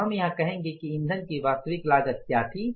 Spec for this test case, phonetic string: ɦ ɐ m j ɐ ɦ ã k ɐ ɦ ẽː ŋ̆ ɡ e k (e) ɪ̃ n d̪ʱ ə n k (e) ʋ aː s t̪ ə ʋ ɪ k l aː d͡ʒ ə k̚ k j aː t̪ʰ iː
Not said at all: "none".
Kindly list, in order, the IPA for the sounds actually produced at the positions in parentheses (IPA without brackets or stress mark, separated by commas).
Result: i, i